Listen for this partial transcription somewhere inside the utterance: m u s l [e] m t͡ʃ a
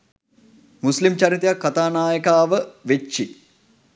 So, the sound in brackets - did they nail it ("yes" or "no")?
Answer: no